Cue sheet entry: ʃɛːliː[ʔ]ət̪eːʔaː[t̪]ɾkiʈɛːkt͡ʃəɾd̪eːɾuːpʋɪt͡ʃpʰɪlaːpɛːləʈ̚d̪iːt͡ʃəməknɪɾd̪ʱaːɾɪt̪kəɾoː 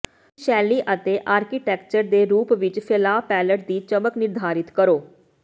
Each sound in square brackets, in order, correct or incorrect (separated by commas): correct, incorrect